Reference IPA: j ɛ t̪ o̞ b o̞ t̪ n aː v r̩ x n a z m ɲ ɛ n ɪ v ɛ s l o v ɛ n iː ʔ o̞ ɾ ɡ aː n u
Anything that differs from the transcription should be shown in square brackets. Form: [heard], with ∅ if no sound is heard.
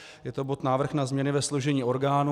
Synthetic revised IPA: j ɛ t̪ o̞ b o̞ t̪ n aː v r̩ x n a z m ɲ ɛ n ɪ v ɛ s l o [ʒ] ɛ [ɲ] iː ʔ o̞ ɾ ɡ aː n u